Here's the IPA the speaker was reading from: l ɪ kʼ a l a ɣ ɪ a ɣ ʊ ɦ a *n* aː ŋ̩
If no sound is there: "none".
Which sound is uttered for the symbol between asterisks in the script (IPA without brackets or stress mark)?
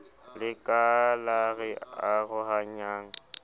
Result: ɲ